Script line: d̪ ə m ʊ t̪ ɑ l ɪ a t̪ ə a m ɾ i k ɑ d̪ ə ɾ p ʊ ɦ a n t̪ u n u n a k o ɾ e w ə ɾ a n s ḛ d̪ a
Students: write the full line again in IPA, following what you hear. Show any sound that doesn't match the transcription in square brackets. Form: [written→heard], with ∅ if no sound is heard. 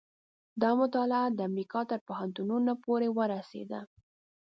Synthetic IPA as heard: d̪ [ə→ɑ] m ʊ t̪ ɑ l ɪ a [t̪→d̪] ə a m ɾ i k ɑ [d̪→t̪] ə ɾ p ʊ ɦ a n t̪ u n u n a [k→p] o ɾ e w ə ɾ a [n→∅] s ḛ d̪ a